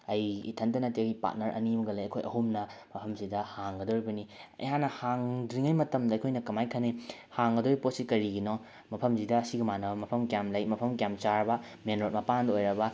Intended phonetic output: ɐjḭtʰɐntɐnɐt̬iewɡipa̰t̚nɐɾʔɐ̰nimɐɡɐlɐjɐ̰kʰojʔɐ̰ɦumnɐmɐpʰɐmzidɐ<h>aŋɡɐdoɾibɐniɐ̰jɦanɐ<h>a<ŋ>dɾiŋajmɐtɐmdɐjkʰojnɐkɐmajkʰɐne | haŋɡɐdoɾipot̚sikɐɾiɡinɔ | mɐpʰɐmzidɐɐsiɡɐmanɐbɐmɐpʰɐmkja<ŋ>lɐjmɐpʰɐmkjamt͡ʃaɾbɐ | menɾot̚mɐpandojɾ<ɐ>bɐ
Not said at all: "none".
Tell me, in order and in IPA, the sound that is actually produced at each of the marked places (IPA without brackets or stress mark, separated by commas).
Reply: h, h, ŋ, m, ɐ